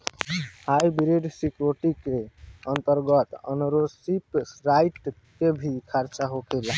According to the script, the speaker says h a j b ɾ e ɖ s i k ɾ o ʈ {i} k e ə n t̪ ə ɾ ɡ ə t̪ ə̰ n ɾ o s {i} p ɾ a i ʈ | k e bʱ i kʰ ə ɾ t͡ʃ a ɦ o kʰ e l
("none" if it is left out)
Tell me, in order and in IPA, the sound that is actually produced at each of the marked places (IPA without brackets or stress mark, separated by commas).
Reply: i, i